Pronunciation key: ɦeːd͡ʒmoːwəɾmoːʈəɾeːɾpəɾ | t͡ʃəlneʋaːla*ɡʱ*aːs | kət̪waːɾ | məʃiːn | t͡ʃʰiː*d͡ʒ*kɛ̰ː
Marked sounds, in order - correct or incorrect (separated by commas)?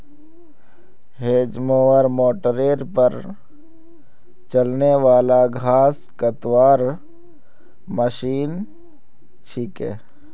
correct, incorrect